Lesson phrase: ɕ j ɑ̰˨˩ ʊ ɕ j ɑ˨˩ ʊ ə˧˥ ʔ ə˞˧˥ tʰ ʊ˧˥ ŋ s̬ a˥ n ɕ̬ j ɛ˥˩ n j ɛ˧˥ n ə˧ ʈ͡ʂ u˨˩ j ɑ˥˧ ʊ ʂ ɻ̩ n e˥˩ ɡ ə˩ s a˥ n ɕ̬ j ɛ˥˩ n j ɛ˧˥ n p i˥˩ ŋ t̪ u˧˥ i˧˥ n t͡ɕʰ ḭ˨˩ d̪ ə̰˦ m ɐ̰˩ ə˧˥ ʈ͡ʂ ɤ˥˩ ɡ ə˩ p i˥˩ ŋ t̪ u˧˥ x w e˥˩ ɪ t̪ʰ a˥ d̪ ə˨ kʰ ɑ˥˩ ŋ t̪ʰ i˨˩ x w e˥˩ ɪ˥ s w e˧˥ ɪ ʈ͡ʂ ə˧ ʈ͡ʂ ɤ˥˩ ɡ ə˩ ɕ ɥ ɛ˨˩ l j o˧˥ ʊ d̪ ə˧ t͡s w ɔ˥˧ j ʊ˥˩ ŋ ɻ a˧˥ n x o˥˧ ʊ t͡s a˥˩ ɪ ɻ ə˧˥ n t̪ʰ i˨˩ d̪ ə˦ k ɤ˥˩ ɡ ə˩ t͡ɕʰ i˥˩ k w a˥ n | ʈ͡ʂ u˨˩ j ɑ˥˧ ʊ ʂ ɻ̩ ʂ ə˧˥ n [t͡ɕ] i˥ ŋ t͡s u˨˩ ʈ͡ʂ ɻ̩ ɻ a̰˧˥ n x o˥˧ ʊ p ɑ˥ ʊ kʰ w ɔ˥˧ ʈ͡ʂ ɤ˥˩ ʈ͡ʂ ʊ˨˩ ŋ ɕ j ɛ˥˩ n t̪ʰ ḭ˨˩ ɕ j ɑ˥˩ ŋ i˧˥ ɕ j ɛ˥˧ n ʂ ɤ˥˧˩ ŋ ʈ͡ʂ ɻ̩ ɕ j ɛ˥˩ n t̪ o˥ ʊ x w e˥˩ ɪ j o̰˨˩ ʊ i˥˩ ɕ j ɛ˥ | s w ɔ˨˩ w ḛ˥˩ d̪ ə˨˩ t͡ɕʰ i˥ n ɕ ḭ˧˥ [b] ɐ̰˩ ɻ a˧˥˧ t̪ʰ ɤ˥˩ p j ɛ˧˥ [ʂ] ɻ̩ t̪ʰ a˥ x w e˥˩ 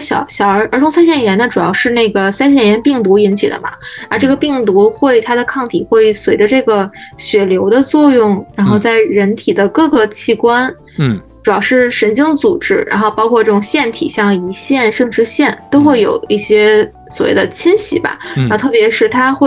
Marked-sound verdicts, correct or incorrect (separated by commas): correct, correct, correct